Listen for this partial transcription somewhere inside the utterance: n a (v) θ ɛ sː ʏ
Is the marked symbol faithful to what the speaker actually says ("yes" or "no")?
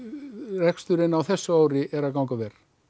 no